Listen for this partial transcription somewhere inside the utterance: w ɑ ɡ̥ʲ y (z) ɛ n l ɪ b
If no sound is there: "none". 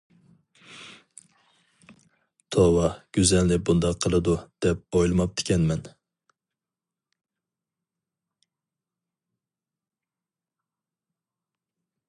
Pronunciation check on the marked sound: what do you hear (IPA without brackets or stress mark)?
z